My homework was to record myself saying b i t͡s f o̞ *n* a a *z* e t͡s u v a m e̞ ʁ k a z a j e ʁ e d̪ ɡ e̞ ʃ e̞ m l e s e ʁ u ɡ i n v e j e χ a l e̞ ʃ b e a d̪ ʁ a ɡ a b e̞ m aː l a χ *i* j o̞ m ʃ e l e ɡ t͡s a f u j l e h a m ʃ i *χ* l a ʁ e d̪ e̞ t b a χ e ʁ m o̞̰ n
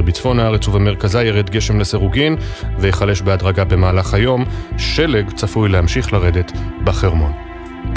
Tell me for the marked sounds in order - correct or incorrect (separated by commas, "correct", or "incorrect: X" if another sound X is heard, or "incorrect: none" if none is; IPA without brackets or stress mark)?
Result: correct, incorrect: ʁ, incorrect: a, correct